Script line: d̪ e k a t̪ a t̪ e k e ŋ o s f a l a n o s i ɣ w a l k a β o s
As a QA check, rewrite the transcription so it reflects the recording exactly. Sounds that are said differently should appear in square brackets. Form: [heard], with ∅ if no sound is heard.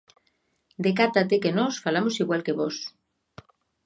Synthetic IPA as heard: d̪ e k a t̪ a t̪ e k e [n] o s f a l a [m] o s i ɣ w a l k [e] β o s

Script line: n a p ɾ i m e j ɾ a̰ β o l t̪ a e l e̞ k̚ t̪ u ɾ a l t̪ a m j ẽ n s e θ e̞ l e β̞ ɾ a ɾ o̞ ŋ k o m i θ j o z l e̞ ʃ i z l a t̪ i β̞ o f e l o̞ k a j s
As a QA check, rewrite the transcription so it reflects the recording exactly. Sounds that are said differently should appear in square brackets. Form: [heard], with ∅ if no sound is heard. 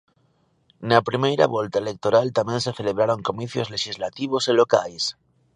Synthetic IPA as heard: n a p ɾ i m e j ɾ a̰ β o l t̪ a e l e̞ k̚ t̪ [o] ɾ a l t̪ a m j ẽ n s e θ e̞ l e β̞ ɾ a ɾ o̞ ŋ k o m i θ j o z l e̞ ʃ i z l a t̪ i β̞ o [s] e l o̞ k a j s

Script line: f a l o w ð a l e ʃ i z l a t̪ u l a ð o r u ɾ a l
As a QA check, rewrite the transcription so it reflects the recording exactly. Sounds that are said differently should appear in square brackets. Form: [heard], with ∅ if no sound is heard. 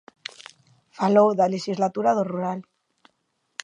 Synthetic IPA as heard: f a l o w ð a l e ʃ i z l a t̪ u [ɾ] a ð o r u ɾ a l

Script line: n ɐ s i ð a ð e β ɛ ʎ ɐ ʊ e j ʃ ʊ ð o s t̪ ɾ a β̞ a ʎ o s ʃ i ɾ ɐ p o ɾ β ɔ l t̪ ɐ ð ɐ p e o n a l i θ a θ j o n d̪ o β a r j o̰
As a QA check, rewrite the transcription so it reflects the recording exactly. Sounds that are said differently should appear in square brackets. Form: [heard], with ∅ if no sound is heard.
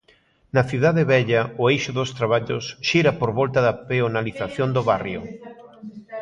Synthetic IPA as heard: n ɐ [θ] i ð a ð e β ɛ ʎ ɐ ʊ e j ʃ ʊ ð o s t̪ ɾ a β̞ a ʎ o s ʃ i ɾ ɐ p o ɾ β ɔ l t̪ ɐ ð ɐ p e o n a l i θ a θ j o n d̪ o β a r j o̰

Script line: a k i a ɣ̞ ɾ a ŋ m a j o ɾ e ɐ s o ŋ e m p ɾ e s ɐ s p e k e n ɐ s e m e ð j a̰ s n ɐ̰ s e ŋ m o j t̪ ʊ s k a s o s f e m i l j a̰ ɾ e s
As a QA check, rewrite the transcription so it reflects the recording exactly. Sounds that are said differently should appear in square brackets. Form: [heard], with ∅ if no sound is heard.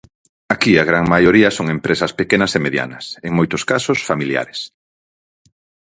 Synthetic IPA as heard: a k i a ɣ̞ ɾ a ŋ m a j o ɾ [i] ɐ s o ŋ e m p ɾ e s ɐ s p e k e n ɐ s e m e ð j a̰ [∅] n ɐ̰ s e ŋ m o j t̪ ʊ s k a s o s f [a] m i l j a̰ ɾ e s

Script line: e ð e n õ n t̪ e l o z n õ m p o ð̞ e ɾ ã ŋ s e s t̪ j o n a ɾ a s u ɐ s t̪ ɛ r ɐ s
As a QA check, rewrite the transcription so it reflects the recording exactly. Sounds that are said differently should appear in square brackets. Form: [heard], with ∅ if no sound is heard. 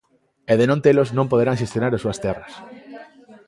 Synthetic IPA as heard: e ð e n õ n t̪ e l o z n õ m p o ð̞ e ɾ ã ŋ [ʃ] e s t̪ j o n a ɾ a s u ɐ s t̪ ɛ r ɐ s

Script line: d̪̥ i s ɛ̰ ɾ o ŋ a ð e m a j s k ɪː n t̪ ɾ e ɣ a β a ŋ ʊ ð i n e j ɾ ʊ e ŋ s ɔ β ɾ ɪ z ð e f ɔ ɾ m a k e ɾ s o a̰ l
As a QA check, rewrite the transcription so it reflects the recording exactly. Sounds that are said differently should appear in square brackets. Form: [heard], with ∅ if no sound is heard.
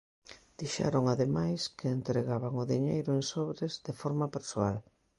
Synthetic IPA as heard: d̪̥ i [ʃ] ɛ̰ ɾ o ŋ a ð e m a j s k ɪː n t̪ ɾ e ɣ a β a ŋ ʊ ð i [ɲ] e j ɾ ʊ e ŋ s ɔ β ɾ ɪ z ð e f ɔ ɾ m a [p] e ɾ s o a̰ l

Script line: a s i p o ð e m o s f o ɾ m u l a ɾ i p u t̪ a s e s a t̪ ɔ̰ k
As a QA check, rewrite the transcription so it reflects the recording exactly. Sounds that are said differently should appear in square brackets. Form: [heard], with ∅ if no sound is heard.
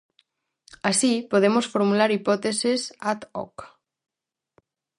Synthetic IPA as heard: a s i p o ð e m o s f o ɾ m u l a ɾ i p [ɔ] t̪ [e] s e s a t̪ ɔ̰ k

